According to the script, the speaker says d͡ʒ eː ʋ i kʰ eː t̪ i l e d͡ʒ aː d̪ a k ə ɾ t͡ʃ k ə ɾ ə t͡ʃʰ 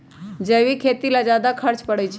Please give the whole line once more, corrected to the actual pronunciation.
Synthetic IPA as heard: d͡ʒ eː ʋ i kʰ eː t̪ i l a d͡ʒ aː d̪ a kʰ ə ɾ t͡ʃ p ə ɽ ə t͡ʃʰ

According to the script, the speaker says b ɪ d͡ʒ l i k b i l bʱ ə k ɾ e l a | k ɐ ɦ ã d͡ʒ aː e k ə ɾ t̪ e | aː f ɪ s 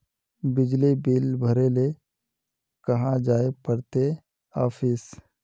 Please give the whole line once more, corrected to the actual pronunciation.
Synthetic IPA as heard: b ɪ d͡ʒ l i b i l bʱ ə ɾ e l e | k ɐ ɦ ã d͡ʒ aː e p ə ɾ t̪ e | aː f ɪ s

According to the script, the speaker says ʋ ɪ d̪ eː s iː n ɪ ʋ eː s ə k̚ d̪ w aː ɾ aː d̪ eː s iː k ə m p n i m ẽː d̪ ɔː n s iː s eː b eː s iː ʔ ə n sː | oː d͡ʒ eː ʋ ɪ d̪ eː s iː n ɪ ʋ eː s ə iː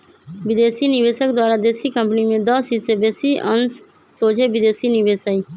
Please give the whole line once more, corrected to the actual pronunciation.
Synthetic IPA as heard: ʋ ɪ d̪ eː s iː n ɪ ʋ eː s ə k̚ d̪ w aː ɾ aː d̪ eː s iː k ə m p n i m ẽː d̪ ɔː s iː s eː b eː s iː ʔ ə n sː | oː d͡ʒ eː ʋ ɪ d̪ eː s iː n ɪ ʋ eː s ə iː

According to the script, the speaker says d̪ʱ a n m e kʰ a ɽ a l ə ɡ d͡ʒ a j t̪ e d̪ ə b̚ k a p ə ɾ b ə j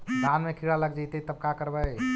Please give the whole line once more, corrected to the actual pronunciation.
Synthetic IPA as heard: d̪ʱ a n m e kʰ i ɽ a l ə ɡ d͡ʒ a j t̪ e t̪ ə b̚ k a k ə ɾ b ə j

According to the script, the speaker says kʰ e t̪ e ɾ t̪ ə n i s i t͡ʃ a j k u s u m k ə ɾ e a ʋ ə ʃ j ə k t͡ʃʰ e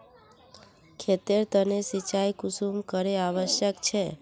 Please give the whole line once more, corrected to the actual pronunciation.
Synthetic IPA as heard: kʰ e t̪ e ɾ t̪ ə n e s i t͡ʃ a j k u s u m k ə ɾ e a ʋ ə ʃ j ə k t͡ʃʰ e

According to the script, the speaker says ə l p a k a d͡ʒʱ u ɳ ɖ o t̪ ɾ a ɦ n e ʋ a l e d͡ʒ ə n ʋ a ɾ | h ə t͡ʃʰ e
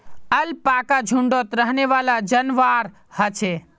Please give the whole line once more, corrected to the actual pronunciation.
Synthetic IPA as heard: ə l p a k a d͡ʒʱ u ɳ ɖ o t̪ ɾ ə ɦ n e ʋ a l a d͡ʒ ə n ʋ a ɾ | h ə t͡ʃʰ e

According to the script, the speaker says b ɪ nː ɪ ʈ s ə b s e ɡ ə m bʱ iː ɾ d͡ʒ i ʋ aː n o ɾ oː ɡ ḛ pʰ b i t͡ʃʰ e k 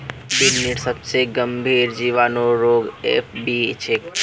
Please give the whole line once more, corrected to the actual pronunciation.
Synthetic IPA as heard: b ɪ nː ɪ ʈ s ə b s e ɡ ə m bʱ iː ɾ d͡ʒ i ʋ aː n o ɾ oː ɡ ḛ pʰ b i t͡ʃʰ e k

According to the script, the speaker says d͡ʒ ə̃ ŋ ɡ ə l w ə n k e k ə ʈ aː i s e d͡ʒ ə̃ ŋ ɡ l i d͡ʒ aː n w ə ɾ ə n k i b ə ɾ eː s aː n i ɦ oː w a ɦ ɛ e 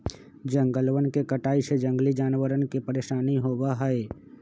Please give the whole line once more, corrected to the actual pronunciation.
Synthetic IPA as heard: d͡ʒ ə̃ ŋ ɡ ə l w ə n k e k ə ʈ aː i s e d͡ʒ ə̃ ŋ ɡ l i d͡ʒ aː n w ə ɾ ə n k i p ə ɾ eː ʃ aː n i ɦ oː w a ɦ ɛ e

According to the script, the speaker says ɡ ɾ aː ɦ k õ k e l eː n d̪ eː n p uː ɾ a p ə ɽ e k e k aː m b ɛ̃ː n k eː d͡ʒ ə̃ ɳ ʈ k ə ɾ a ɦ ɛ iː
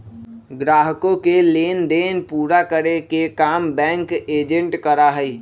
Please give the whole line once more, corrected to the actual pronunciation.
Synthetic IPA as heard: ɡ ɾ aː ɦ k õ k e l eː n d̪ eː n p uː ɾ a k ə ɾ e k e k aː m b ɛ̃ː ŋ k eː d͡ʒ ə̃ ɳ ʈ k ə ɾ a ɦ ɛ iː

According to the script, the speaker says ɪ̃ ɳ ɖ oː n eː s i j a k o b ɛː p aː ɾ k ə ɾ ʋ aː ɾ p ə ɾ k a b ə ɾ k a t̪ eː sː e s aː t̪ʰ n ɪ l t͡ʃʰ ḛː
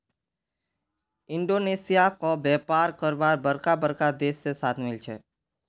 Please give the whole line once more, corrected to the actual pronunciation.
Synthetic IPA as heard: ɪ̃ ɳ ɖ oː n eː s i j a k o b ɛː p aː ɾ k ə ɾ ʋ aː ɾ b ə ɾ k a b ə ɾ k a d̪ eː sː e s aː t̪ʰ m ɪ l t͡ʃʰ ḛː

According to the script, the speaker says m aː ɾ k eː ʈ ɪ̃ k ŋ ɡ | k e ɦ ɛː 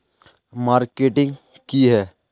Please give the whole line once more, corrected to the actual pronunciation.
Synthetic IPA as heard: m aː ɾ k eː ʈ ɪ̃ ŋ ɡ | k i ɦ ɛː

